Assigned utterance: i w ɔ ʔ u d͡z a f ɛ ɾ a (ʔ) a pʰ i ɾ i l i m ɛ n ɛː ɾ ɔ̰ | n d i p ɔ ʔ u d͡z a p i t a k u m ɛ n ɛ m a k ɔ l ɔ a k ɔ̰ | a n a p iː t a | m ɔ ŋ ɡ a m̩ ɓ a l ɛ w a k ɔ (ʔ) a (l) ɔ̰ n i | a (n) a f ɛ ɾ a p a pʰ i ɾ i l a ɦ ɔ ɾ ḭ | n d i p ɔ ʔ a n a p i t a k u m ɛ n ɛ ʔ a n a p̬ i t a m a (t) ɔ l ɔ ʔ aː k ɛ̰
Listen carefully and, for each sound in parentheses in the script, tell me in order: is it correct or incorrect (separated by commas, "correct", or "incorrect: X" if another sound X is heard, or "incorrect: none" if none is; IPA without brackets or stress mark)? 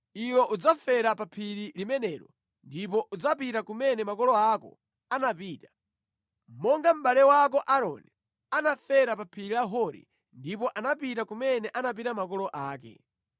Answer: incorrect: p, correct, incorrect: ɾ, correct, incorrect: k